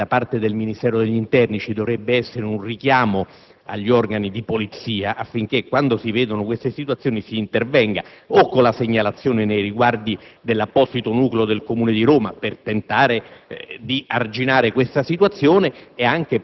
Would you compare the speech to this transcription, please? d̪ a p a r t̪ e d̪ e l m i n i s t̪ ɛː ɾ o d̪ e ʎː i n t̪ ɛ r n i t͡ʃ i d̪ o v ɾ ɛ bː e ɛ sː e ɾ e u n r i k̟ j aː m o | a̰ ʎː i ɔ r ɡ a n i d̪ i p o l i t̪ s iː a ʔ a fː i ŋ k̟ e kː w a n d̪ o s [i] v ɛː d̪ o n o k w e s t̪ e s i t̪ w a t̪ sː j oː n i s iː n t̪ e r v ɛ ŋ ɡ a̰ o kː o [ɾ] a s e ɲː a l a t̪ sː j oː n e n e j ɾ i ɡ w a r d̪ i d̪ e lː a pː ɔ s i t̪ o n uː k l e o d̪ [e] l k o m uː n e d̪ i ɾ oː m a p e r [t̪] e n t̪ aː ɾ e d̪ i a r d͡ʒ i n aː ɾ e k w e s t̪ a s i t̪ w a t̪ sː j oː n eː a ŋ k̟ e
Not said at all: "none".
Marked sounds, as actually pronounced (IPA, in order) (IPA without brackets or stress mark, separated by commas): i, l, e, t̪